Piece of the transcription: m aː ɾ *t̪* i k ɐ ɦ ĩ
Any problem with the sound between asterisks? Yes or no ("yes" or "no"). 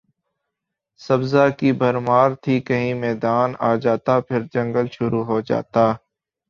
yes